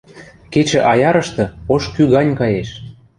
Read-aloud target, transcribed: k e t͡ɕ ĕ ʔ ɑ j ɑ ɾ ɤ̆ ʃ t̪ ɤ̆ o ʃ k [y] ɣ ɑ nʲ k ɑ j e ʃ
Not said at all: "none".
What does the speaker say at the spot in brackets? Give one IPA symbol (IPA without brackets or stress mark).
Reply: y